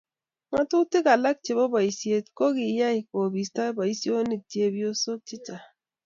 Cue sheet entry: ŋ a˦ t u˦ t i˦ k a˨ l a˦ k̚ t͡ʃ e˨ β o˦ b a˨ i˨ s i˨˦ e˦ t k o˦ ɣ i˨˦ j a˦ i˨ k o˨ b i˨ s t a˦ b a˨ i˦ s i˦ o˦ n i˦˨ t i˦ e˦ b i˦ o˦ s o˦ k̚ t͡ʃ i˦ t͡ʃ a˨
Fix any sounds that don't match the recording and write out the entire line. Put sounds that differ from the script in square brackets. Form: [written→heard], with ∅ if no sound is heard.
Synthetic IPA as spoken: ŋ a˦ t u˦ t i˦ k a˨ l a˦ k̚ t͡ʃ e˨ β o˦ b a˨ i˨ s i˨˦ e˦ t k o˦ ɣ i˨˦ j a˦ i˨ k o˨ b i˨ s t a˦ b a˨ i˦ s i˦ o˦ n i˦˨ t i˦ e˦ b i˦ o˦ s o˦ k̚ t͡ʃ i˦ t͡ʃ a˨